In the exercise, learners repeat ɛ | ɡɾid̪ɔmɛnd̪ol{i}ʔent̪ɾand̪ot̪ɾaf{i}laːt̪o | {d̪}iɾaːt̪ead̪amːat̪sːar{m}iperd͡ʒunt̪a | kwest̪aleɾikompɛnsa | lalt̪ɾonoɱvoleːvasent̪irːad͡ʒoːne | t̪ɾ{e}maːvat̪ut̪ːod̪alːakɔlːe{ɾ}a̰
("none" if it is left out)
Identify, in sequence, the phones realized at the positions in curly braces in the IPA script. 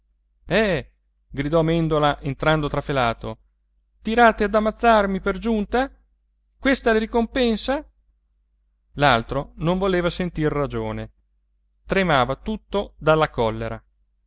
a, e, t̪, m, e, ɾ

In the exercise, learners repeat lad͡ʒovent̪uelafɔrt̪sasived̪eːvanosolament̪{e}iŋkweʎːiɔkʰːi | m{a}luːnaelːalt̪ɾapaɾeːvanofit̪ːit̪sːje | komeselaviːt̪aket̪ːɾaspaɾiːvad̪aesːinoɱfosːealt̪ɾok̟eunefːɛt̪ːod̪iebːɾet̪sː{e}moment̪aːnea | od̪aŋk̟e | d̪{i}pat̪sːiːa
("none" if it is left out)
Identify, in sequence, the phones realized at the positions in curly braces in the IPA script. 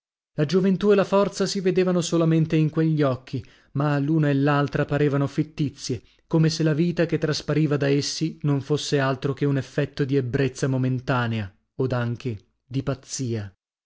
e, a, a, i

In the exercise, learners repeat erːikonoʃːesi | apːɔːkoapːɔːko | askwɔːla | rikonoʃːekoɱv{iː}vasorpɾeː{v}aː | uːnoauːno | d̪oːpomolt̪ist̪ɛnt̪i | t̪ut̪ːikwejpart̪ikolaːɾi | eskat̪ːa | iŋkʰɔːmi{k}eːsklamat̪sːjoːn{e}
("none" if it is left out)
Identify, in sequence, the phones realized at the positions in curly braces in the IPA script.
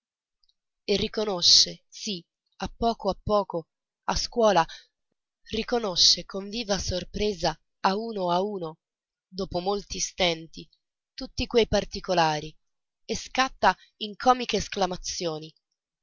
iː, z, k, i

